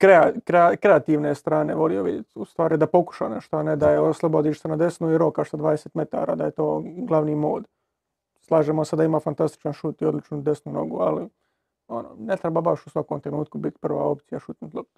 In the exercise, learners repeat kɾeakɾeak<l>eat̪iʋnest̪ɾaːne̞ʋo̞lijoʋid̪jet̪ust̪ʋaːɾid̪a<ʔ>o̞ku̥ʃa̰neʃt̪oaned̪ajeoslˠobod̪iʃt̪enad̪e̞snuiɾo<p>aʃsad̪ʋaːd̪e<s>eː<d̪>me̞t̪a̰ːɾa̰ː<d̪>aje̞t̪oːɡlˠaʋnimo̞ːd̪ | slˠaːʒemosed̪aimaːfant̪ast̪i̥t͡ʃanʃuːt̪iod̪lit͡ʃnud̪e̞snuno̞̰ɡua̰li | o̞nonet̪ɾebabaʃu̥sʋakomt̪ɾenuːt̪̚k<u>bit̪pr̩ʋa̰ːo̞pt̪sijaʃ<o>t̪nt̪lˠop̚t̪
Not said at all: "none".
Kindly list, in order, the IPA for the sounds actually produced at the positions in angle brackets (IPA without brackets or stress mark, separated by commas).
ɾ, p, k, s, t̪, d̪, u, u